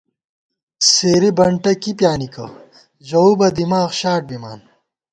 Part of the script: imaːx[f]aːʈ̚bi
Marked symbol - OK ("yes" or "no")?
no